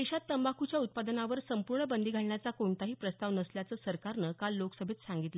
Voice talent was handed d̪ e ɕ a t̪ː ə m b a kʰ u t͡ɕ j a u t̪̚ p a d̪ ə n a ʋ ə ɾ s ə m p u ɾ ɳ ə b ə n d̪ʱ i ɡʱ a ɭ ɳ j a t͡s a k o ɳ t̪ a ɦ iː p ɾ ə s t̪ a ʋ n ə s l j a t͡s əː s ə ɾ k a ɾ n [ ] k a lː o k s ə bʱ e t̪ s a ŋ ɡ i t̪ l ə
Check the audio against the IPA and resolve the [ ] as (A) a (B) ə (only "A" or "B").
B